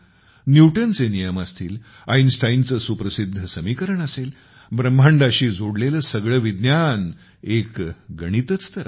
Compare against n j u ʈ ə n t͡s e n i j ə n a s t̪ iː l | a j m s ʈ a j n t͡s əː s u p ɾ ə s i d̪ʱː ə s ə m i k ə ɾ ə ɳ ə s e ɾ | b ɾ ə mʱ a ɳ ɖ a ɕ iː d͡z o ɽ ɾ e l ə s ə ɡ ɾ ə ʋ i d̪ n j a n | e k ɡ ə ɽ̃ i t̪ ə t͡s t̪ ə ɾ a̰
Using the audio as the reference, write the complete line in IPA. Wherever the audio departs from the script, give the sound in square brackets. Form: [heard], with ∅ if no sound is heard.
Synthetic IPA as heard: n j u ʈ ə n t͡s e n i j ə [m] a s t̪ iː l | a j [n] s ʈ a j n t͡s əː s u p ɾ ə s i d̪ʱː ə s ə m i k ə ɾ ə ɳ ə s e [l] | b ɾ ə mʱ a ɳ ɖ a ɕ iː d͡z o ɽ [l] e l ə s ə ɡ [ɭ] ə ʋ i d̪ n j a n | e k ɡ ə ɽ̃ i t̪ ə t͡s t̪ ə ɾ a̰

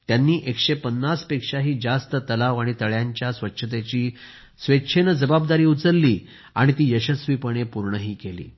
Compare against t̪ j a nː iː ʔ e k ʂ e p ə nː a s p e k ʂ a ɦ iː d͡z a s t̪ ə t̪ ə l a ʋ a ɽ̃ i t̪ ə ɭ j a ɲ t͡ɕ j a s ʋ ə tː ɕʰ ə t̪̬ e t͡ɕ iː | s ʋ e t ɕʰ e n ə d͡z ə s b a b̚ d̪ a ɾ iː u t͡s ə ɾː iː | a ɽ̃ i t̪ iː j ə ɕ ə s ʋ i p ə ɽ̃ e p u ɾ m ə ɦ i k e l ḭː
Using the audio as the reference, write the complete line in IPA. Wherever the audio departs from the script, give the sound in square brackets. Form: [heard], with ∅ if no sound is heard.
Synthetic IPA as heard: t̪ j a nː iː ʔ e k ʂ e p ə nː a s p e k ʂ a ɦ iː d͡z a s t̪ ə t̪ ə l a ʋ a ɽ̃ i t̪ ə ɭ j a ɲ t͡ɕ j a s ʋ ə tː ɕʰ ə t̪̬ e t͡ɕ iː | s ʋ e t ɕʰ e n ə d͡z ə [∅] b a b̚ d̪ a ɾ iː u t͡s ə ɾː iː | a ɽ̃ i t̪ iː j ə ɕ ə s ʋ i p ə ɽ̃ e p u ɾ [ɳ] ə ɦ [iː] k e l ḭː

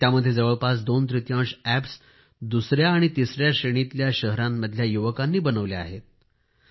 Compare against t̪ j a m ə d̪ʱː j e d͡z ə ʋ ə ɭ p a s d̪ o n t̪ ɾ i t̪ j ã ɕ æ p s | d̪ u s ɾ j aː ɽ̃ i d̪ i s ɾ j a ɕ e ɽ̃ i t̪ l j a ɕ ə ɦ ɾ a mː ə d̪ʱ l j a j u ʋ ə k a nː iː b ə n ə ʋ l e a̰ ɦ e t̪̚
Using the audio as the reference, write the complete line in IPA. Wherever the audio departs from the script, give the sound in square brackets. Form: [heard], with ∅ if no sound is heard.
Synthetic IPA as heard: t̪ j a m ə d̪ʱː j e d͡z ə ʋ ə ɭ p a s d̪ o n t̪ ɾ i t̪ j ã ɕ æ p s | d̪ u s ɾ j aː ɽ̃ i [t̪] i s ɾ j a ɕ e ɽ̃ i t̪ l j a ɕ ə ɦ ɾ a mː ə d̪ʱ l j a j u ʋ ə k a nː iː b ə n ə ʋ l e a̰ ɦ e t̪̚

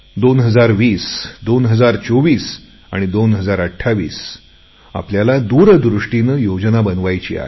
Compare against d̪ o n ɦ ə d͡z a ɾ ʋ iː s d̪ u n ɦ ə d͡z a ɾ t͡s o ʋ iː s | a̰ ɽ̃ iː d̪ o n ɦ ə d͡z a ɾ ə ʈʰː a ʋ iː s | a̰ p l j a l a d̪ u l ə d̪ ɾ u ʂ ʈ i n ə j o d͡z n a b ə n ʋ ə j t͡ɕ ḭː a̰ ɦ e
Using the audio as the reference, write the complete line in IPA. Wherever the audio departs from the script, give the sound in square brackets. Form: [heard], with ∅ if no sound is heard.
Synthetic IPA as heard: d̪ o n ɦ ə d͡z a ɾ ʋ iː s d̪ [o] n ɦ ə d͡z a ɾ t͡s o ʋ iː s | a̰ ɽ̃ [i] d̪ o n ɦ ə d͡z a ɾ ə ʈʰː a ʋ iː s | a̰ p l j a l a d̪ u [ɾ] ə d̪ ɾ u ʂ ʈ i n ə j o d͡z n a b ə n ʋ [a] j t͡ɕ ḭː a̰ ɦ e

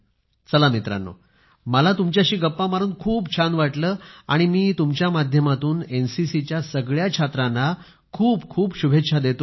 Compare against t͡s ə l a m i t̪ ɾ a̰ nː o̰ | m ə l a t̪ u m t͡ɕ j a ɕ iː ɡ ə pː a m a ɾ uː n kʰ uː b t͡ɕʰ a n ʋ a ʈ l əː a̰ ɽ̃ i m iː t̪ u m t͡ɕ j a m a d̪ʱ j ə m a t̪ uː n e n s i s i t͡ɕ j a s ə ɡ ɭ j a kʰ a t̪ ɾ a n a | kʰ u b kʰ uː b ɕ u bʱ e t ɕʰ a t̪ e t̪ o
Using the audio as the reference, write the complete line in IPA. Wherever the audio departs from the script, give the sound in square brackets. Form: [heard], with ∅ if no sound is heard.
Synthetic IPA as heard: t͡s ə l a m i t̪ ɾ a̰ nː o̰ | m ə l a t̪ u m t͡ɕ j a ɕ iː ɡ ə pː a m a ɾ uː n kʰ uː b t͡ɕʰ a n ʋ a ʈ l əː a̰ ɽ̃ i m iː t̪ u m t͡ɕ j a m a d̪ʱ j ə m a t̪ uː n e n s i s i t͡ɕ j a s ə ɡ ɭ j a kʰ a t̪ ɾ a n a | kʰ [uː] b kʰ uː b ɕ u bʱ e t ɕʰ a [d̪] e t̪ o

